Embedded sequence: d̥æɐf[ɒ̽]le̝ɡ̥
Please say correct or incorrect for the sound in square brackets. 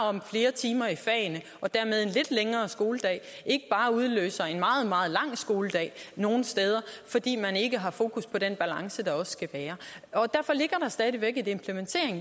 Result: correct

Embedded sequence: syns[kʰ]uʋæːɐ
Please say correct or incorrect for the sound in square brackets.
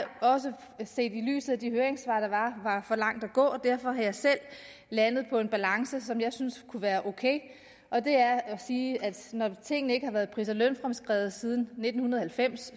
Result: correct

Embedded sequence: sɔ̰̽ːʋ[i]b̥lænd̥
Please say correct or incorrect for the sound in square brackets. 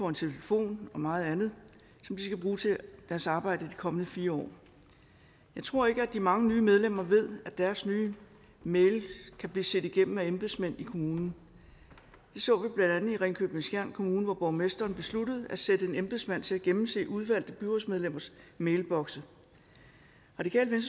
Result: correct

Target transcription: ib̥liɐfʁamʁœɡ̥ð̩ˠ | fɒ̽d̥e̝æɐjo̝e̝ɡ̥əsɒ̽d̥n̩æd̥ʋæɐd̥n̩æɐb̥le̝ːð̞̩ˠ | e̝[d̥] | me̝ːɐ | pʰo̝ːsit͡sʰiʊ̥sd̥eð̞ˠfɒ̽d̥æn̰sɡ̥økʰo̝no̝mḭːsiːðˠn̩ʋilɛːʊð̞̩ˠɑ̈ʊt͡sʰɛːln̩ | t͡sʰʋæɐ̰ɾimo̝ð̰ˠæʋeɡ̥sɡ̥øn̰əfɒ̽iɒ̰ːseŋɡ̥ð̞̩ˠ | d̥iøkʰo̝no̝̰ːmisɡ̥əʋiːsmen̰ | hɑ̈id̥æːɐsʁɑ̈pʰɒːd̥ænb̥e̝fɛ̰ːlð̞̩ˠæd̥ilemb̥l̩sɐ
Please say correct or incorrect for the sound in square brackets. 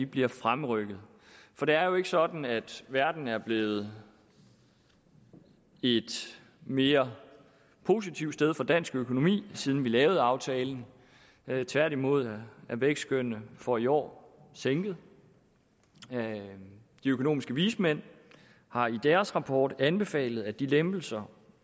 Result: correct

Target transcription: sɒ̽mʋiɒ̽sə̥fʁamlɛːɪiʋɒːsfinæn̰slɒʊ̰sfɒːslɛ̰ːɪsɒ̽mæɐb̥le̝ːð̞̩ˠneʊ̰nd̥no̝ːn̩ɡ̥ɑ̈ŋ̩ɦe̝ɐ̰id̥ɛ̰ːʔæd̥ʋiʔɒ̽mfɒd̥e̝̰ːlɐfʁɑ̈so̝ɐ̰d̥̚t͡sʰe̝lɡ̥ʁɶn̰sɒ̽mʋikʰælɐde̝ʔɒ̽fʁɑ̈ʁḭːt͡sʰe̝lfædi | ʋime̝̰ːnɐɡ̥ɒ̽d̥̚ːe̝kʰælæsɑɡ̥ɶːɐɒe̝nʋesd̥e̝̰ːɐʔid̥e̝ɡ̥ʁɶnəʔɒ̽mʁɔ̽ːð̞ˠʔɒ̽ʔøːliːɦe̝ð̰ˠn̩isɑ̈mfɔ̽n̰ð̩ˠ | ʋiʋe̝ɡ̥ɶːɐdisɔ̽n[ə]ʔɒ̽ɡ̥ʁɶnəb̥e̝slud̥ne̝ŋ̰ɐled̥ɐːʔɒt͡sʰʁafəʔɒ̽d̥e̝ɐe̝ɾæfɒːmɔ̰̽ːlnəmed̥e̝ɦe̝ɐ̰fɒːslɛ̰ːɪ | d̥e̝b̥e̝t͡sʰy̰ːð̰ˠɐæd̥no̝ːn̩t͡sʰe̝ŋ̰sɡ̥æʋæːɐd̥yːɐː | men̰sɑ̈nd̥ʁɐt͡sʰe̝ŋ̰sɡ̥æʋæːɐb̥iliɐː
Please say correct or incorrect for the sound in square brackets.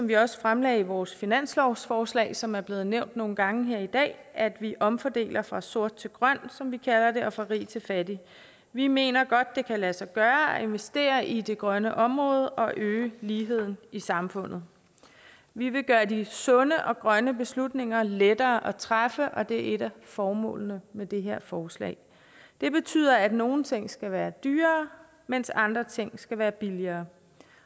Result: correct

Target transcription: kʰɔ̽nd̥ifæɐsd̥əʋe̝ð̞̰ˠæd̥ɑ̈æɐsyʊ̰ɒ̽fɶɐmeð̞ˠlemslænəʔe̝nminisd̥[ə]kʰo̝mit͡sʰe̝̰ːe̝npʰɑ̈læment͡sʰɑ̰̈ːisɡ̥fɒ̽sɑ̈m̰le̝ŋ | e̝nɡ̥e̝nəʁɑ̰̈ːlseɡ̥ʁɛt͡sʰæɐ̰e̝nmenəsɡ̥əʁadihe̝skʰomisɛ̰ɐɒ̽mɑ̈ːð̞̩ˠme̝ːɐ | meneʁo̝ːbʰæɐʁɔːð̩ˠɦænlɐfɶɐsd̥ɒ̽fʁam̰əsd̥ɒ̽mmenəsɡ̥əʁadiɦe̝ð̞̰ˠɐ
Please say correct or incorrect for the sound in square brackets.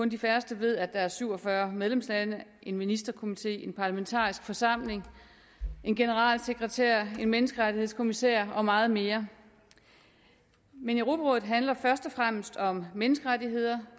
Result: incorrect: ɐ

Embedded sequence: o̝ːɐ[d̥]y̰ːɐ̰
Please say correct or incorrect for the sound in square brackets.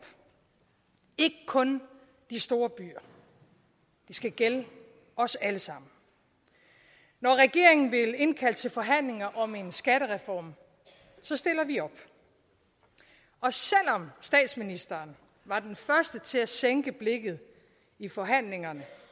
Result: incorrect: b̥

